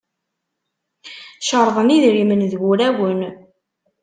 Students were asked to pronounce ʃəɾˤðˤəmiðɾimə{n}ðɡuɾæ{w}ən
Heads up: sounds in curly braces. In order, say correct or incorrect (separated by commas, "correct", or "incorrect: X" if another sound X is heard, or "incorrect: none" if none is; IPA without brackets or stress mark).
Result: correct, correct